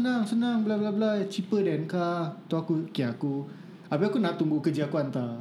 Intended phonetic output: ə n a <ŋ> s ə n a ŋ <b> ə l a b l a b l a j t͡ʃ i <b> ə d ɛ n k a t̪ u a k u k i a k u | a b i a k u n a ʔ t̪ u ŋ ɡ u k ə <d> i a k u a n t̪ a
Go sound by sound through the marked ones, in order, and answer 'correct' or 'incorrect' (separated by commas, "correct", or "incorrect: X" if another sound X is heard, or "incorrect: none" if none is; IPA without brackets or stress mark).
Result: correct, correct, incorrect: p, incorrect: d͡ʒ